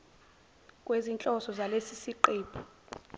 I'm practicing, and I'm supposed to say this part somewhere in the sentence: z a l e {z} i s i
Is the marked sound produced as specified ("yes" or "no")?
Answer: no